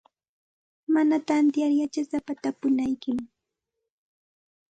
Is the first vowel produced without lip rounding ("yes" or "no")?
yes